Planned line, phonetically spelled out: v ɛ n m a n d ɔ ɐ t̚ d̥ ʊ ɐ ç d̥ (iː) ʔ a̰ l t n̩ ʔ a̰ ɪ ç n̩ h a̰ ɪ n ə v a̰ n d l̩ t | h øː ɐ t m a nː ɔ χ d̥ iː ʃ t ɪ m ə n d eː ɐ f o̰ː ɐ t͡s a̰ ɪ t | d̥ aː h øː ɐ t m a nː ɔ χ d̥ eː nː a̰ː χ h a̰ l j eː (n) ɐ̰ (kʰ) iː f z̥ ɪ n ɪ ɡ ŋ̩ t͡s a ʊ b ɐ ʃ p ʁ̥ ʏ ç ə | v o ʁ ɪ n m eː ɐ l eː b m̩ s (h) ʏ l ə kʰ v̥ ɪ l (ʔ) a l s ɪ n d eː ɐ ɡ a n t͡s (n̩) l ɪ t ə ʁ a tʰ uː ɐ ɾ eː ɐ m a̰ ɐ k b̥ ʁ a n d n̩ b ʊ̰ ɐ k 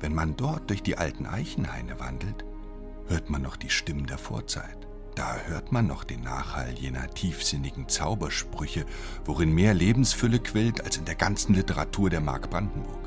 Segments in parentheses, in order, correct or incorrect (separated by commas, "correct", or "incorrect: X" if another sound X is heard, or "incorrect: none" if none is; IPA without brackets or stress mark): correct, correct, incorrect: tʰ, incorrect: f, incorrect: t, correct